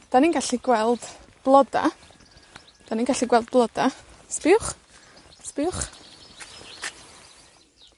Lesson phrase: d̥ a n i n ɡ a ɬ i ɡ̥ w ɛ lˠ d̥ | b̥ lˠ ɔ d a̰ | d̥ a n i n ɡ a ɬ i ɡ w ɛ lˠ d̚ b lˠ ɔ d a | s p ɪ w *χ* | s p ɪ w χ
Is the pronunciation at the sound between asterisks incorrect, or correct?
correct